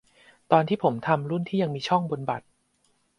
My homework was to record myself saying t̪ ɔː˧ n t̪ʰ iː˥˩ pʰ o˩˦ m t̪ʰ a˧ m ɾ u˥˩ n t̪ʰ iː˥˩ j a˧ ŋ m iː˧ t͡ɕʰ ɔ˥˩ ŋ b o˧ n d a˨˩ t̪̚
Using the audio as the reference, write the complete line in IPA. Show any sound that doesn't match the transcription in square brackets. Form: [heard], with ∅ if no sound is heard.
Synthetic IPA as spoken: t̪ ɔː˧ n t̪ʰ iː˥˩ pʰ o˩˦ m t̪ʰ a˧ m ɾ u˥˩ n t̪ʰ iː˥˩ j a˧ ŋ m iː˧ t͡ɕʰ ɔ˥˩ ŋ b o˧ n [b] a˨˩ t̪̚